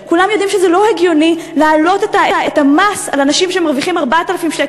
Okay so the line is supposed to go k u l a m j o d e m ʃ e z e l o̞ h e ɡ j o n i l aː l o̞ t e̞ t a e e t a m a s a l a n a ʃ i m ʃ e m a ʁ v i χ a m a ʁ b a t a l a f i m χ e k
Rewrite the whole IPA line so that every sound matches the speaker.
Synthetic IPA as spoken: k u l a m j o d i m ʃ e z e l o̞ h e ɡ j o n i l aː l o̞ t e̞ t a e e t a m a s a l a n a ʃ i m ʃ e m a ʁ v i χ i m a ʁ b a t a l a f i m ʃ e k

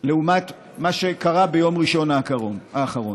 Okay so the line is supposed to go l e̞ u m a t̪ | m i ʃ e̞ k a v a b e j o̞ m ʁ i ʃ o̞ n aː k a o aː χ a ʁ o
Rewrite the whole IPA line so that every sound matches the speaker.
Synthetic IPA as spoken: l e̞ u m a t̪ | m a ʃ e̞ k a ʁ a b e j o̞ m ʁ i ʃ o̞ n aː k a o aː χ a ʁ o

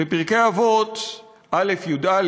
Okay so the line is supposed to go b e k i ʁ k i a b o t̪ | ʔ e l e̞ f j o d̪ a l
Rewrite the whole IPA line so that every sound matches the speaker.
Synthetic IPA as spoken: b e p i ʁ k e a v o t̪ | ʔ a l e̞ f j u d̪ a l

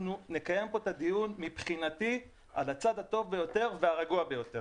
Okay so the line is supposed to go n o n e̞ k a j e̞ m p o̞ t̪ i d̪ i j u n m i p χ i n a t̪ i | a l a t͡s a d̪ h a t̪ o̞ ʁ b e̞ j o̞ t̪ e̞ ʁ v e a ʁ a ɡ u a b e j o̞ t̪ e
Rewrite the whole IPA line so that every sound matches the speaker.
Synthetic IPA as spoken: n u n e̞ k a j e̞ m p o̞ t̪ a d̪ i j u n m i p χ i n a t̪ i | a l a t͡s a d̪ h a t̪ o̞ v b e̞ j o̞ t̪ e̞ ʁ v e a ʁ a ɡ u a b e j o̞ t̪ e

